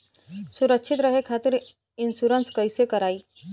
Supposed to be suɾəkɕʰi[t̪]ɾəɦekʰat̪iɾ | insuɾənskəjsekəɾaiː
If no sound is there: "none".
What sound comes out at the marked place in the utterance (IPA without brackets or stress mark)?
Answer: t̪